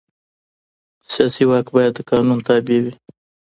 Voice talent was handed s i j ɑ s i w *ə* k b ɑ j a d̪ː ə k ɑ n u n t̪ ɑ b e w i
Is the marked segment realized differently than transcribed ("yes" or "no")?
yes